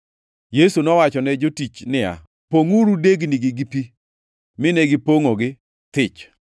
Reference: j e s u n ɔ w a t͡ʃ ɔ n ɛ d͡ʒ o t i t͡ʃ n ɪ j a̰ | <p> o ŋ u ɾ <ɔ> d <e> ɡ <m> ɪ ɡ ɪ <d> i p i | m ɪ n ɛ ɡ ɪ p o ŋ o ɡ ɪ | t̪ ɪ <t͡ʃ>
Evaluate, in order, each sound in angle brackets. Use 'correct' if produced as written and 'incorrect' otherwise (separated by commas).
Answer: correct, incorrect, correct, incorrect, incorrect, correct